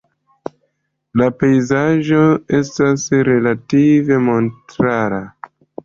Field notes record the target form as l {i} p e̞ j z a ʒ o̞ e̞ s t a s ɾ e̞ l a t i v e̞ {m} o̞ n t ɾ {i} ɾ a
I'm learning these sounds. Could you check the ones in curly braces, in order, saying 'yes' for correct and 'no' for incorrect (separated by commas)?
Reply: no, yes, no